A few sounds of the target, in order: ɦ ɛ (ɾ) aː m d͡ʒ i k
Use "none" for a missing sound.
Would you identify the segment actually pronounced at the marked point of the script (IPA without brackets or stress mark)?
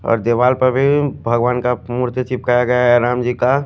ɾ